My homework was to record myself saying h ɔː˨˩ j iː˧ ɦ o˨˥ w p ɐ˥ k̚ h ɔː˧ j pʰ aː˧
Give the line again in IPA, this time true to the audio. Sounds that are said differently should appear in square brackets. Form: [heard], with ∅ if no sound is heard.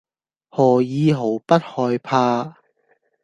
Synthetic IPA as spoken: h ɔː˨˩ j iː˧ ɦ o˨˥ w p ɐ˥ [t̚] h ɔː˧ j pʰ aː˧